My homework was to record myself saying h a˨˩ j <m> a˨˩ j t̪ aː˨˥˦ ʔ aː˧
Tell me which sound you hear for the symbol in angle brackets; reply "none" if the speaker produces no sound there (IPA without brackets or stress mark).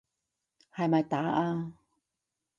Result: m